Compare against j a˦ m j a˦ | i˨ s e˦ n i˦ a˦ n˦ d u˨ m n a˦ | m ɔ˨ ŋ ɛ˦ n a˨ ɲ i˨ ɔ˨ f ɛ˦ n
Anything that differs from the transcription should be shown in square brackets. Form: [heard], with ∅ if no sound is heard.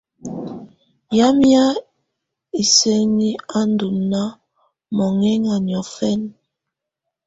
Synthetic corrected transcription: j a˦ m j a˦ | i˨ s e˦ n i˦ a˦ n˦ d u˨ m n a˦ | m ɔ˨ ŋ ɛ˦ [ŋ] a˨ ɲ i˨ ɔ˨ f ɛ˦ n